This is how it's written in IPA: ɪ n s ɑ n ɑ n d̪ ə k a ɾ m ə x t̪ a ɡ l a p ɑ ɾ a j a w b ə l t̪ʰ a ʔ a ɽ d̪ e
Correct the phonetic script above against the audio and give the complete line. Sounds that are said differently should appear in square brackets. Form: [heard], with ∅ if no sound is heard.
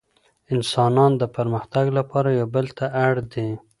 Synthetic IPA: ɪ n s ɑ n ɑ n d̪ ə [p] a ɾ m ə x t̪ a ɡ l a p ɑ ɾ a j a w b ə l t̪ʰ a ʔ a ɽ d̪ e